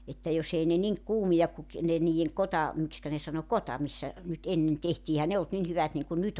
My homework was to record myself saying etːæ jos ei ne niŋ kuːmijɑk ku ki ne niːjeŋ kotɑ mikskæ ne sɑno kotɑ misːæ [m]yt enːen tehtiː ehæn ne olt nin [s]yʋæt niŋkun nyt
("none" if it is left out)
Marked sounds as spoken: n, h

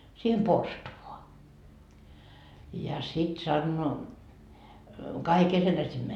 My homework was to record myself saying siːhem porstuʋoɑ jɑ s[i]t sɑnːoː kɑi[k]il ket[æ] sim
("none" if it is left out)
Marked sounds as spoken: i, k, æ

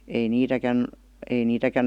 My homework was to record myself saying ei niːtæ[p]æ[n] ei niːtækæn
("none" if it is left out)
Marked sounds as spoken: k, n

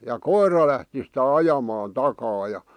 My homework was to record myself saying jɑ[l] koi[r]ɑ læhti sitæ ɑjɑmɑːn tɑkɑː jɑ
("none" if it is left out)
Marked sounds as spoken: none, r

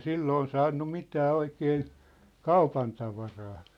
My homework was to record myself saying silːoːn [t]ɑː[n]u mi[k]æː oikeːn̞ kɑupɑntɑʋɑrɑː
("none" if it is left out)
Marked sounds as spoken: s, nː, t

